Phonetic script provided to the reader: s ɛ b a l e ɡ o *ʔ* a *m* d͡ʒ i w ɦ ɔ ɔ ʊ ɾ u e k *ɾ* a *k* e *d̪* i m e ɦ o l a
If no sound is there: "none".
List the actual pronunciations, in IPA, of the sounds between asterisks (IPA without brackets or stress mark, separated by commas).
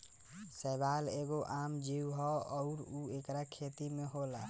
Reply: ʔ, m, ɾ, kʰ, t̪